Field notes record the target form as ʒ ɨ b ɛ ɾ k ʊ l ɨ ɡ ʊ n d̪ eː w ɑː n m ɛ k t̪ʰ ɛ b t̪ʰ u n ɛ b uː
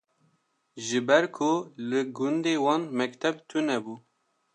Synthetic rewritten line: ʒ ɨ b ɛ ɾ kʰ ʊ l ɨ ɡ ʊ n d̪ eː w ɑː n m ɛ k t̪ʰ ɛ b t̪ʰ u n ɛ b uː